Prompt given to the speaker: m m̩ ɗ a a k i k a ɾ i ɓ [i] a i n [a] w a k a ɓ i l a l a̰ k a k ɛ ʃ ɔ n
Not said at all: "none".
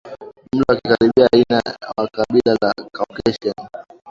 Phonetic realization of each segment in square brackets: i, a

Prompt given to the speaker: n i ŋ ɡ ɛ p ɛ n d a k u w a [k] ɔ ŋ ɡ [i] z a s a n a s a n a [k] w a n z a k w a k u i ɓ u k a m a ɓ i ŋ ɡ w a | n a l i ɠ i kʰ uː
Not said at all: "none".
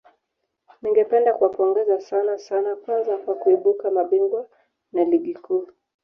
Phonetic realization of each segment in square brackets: p, ɛ, k

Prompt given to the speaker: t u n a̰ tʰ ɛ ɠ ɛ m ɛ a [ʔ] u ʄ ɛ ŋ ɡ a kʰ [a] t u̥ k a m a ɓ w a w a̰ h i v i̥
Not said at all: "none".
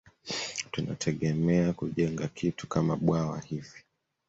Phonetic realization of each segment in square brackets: k, i

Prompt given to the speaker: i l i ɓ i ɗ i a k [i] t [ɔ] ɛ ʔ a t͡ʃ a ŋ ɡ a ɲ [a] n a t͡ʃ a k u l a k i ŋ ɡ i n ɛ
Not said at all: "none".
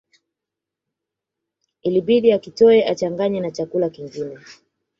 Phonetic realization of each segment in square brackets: i, ɔ, ɛ

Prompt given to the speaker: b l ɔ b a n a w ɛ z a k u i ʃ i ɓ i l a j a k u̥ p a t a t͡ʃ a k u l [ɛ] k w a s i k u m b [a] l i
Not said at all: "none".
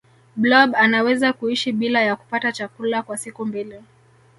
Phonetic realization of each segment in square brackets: a, i

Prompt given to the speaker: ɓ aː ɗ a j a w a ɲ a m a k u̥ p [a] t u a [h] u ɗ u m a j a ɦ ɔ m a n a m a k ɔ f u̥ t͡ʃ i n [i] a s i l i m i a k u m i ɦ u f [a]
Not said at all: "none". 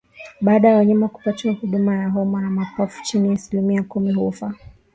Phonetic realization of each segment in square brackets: a, h, i, a

